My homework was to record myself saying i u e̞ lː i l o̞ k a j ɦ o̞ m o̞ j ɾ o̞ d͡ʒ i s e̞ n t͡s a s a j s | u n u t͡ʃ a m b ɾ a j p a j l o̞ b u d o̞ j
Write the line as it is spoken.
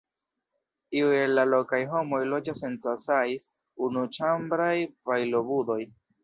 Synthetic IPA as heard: i u e̞ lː a l o̞ k a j ɦ o̞ m o̞ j l o̞ d͡ʒ a s e̞ n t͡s a s a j s | u n u t͡ʃ a m b ɾ a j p a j l o̞ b u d o̞ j